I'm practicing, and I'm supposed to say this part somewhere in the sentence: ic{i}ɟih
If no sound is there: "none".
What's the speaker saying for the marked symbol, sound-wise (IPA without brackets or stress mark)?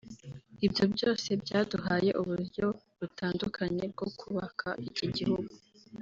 i